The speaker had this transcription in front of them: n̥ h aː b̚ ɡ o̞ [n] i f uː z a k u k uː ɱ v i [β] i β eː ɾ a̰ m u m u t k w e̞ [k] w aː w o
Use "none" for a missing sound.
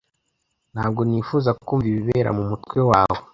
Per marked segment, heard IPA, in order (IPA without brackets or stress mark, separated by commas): n, β, none